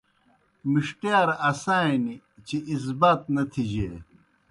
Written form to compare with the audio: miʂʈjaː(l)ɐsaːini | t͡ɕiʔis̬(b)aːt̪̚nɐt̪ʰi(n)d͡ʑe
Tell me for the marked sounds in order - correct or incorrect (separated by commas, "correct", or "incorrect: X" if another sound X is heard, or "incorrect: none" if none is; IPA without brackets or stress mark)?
incorrect: ɾ, correct, incorrect: none